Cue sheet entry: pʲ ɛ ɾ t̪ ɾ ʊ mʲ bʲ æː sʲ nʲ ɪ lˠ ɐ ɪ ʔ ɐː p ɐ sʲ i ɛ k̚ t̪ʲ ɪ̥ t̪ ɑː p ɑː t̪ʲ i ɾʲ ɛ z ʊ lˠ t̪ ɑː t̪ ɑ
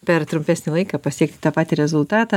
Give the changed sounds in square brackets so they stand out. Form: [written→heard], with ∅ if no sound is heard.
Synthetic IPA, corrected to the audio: pʲ ɛ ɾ t̪ ɾ ʊ mʲ [bʲ→pʲ] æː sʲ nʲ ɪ lˠ ɐ ɪ [ʔ→k] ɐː p ɐ sʲ i ɛ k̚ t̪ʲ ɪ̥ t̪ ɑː p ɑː t̪ʲ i ɾʲ ɛ z ʊ lˠ t̪ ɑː t̪ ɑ